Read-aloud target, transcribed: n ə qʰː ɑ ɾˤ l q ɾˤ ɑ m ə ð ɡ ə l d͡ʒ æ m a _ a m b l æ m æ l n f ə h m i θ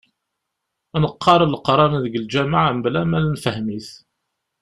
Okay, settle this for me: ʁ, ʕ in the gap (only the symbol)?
ʕ